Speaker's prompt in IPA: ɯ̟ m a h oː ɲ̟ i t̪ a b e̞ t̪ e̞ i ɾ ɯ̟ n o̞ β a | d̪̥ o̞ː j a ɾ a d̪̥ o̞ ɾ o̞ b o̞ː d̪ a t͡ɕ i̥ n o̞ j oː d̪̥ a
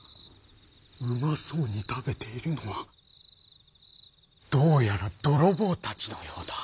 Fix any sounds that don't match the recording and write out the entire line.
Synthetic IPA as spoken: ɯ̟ m a s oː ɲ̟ i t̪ a b e̞ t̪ e̞ i ɾ ɯ̟ n o̞ β a | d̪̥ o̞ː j a ɾ a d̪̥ o̞ ɾ o̞ b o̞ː t̪ a t͡ɕ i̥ n o̞ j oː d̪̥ a